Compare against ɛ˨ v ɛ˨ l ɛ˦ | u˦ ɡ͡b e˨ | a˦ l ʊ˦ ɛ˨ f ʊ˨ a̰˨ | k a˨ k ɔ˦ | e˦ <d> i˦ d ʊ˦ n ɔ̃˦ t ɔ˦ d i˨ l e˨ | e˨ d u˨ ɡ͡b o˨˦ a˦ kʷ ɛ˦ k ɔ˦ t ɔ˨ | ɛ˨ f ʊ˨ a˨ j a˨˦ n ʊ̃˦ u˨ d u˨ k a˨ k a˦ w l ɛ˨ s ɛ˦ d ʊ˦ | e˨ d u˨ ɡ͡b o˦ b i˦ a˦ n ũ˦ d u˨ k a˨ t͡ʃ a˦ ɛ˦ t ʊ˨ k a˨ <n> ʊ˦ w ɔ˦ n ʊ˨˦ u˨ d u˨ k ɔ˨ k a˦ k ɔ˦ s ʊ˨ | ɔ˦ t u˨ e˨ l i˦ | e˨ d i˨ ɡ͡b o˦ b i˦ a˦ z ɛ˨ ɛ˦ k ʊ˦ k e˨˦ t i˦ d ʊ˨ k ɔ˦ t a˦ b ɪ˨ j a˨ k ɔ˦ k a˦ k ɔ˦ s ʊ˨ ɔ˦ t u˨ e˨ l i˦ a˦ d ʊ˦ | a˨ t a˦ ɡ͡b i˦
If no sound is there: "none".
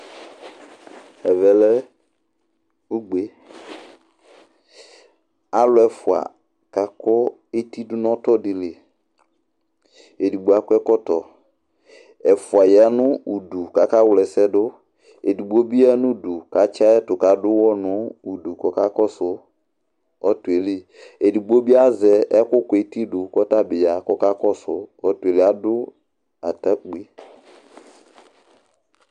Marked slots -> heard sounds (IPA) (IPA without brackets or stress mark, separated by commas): t, d